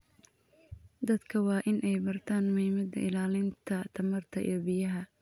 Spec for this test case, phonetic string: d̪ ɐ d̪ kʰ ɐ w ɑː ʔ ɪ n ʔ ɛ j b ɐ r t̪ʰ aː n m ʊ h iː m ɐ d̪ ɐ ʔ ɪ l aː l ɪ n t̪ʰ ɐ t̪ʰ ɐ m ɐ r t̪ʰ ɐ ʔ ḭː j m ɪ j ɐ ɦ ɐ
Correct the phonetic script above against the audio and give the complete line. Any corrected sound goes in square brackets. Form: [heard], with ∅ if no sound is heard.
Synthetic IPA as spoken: d̪ ɐ d̪ kʰ ɐ w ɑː ʔ ɪ n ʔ ɛ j b ɐ r t̪ʰ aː n m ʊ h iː m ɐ d̪ ɐ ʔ ɪ l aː l ɪ n t̪ʰ ɐ t̪ʰ ɐ m ɐ r t̪ʰ ɐ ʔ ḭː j [b] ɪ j ɐ ɦ ɐ